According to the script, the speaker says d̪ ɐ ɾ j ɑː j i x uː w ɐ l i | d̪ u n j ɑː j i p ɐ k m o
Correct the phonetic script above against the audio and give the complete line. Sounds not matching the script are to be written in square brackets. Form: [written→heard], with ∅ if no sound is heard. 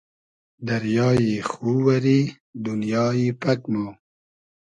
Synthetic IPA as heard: d̪ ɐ ɾ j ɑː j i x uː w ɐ [l→ɾ] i | d̪ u n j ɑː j i p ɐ k m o